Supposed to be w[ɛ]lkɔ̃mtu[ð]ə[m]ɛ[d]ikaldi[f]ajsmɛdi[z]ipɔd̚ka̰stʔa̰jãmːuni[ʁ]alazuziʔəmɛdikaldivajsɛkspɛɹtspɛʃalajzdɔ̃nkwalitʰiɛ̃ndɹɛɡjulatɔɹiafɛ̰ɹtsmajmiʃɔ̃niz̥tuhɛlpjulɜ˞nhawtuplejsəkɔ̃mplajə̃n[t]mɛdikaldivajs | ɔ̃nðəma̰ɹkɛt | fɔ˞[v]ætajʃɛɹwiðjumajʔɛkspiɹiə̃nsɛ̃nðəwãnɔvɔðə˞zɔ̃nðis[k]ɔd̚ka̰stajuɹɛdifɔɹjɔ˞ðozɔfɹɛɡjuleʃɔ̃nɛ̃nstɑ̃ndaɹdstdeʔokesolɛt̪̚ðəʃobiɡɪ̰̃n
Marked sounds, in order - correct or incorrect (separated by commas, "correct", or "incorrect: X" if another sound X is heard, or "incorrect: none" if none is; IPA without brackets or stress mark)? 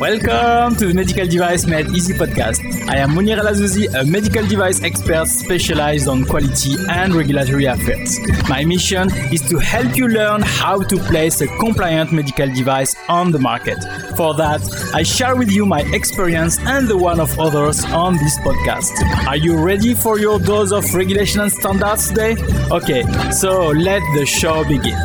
correct, correct, correct, correct, incorrect: v, correct, correct, correct, incorrect: ð, incorrect: p